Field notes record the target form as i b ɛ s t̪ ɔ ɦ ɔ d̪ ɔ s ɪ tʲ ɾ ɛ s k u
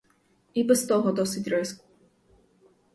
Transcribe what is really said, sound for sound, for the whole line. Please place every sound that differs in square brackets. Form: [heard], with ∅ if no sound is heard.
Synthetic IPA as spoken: i b ɛ s t̪ ɔ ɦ ɔ d̪ ɔ s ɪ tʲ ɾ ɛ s k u